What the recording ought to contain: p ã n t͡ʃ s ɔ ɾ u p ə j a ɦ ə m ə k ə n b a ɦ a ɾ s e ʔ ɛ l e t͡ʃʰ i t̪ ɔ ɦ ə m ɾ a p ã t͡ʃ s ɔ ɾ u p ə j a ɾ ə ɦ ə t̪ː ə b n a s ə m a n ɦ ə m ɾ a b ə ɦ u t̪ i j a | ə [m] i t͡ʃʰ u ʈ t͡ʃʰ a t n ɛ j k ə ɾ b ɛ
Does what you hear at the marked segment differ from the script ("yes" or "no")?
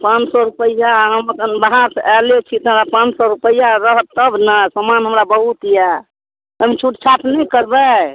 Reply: no